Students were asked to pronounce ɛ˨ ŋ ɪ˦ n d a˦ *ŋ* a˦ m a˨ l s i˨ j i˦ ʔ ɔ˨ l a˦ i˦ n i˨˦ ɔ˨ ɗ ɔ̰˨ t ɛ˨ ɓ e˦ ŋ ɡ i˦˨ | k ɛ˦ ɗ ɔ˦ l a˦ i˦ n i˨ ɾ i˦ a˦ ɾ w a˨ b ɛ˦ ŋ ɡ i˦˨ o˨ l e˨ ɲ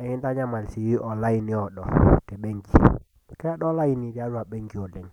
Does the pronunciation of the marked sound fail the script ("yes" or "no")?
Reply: yes